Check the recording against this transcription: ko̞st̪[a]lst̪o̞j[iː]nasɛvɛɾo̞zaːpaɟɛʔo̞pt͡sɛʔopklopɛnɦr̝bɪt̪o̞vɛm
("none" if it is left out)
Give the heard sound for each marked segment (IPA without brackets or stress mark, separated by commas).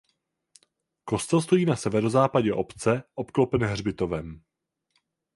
ɛ, iː